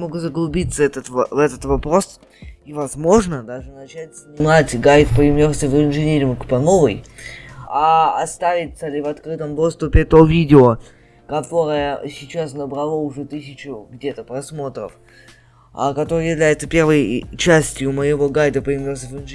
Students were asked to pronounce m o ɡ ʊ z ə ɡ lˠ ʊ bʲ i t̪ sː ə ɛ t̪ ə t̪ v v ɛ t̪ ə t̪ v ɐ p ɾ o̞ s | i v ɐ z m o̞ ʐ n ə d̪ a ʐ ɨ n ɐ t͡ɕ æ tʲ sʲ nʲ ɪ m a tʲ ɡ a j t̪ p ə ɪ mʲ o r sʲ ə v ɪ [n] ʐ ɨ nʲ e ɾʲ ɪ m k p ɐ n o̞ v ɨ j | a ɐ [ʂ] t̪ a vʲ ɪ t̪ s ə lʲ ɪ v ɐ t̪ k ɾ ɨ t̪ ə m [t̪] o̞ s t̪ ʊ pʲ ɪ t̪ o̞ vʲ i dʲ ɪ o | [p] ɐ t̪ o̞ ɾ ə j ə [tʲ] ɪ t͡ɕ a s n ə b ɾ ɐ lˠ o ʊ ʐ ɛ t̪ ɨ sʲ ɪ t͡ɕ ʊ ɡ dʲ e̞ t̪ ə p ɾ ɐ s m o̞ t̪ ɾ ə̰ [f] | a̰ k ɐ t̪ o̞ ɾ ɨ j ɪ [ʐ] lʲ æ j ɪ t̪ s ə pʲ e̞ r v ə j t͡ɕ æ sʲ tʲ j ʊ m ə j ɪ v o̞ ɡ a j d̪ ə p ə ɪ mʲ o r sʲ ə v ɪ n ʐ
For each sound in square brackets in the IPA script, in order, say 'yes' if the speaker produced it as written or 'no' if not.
yes, no, no, no, no, yes, no

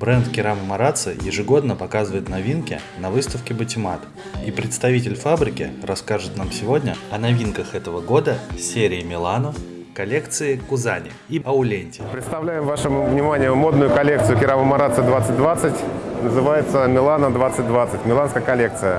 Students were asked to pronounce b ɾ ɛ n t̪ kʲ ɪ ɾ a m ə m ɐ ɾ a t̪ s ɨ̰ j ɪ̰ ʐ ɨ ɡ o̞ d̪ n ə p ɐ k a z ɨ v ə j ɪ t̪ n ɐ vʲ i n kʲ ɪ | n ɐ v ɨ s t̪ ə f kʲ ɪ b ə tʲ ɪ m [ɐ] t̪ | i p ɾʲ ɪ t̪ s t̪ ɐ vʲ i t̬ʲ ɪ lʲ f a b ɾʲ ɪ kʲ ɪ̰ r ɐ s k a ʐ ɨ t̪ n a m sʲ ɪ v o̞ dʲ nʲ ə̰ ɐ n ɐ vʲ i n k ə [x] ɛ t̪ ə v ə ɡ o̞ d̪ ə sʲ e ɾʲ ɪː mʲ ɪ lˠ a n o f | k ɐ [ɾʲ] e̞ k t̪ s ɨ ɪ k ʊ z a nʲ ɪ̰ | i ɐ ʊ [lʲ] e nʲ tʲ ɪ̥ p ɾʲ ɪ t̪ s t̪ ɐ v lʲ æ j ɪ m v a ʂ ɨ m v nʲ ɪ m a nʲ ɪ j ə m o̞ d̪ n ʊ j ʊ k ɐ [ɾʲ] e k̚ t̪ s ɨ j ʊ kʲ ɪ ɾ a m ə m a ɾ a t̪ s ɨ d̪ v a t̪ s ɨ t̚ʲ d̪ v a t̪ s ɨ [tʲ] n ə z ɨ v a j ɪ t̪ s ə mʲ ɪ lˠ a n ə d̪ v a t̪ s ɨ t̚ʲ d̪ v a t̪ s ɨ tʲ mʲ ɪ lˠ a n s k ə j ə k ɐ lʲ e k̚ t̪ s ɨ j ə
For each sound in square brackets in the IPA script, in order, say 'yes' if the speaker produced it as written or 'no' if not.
no, yes, no, yes, no, yes

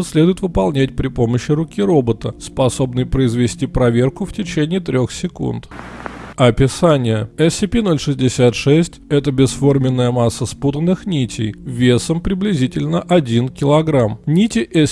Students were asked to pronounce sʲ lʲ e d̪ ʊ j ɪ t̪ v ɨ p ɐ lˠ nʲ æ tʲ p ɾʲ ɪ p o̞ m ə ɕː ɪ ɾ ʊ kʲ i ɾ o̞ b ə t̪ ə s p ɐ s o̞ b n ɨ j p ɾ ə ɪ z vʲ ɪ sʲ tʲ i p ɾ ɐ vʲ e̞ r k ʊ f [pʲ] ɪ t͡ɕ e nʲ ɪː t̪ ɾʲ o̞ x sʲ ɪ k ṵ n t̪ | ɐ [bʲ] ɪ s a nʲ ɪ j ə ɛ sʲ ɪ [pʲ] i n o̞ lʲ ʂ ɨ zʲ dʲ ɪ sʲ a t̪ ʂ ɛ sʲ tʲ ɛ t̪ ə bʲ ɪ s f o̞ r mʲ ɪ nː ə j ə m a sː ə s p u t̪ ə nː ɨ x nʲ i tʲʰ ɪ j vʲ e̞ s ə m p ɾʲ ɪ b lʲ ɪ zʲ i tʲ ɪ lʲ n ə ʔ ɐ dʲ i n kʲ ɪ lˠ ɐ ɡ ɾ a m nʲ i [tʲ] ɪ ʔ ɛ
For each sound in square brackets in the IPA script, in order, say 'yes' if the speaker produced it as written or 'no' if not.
no, no, yes, yes

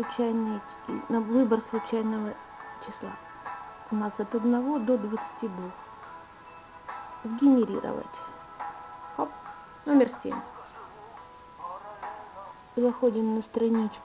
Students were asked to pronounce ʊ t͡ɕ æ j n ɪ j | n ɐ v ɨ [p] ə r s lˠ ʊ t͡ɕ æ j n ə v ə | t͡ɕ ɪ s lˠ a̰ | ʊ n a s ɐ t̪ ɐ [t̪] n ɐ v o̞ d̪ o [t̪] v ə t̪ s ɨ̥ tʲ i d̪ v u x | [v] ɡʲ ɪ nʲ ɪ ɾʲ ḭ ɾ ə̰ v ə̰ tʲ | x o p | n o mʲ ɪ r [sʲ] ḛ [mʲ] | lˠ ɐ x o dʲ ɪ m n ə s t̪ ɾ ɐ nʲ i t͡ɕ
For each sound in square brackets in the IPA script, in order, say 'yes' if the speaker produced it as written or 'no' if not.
no, no, no, no, yes, yes

